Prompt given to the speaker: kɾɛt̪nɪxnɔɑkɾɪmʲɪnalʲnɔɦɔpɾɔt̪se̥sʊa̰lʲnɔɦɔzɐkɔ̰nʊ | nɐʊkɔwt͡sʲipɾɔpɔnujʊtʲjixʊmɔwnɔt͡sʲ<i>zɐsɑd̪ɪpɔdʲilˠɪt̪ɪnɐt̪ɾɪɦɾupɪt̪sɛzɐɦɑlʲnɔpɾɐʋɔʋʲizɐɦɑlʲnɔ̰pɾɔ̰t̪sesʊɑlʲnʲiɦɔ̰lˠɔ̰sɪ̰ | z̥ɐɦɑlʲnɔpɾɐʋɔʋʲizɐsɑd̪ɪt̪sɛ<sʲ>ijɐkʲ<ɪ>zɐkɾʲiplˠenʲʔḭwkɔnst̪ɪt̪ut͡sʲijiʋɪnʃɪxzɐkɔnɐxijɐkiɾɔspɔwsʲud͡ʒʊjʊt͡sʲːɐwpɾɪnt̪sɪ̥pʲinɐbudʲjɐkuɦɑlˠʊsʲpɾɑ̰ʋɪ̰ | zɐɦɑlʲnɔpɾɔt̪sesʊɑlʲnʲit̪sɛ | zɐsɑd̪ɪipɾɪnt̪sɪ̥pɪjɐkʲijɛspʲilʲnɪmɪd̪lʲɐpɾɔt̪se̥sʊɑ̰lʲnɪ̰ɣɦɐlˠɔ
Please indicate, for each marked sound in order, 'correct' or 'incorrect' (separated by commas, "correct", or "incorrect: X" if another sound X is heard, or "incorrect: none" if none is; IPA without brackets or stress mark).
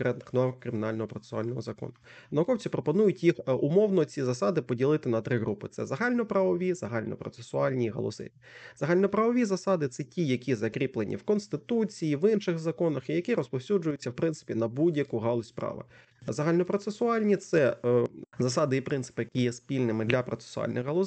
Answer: correct, incorrect: tʲ, incorrect: i